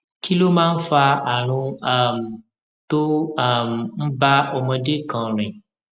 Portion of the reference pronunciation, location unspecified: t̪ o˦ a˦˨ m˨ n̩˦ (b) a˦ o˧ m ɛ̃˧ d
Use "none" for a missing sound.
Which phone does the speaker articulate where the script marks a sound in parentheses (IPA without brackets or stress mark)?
b